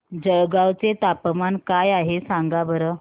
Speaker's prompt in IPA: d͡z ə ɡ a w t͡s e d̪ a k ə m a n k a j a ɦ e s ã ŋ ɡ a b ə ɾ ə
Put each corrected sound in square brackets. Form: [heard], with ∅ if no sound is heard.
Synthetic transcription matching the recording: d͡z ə ɡ a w t͡s e [t̪] a [p] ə m a n k a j a ɦ e s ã ŋ ɡ a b ə ɾ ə